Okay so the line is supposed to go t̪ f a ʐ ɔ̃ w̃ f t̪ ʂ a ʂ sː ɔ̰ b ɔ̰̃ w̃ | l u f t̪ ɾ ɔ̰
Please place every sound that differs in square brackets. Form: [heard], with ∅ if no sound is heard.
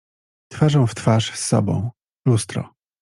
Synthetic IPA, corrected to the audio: t̪ f a ʐ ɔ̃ w̃ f t̪ [f] a ʂ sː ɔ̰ b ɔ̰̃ w̃ | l u [s] t̪ ɾ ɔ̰